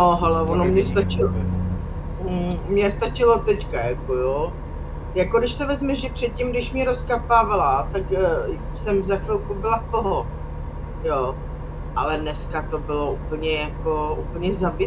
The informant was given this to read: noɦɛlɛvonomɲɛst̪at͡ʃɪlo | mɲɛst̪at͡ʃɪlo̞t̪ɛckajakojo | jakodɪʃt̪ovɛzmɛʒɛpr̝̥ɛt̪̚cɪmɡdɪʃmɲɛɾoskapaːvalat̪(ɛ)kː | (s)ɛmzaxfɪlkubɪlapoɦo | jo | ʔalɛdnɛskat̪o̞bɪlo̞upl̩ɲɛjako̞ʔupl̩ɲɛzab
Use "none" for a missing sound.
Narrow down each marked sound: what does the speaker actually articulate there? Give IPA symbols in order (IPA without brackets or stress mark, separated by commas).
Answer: a, s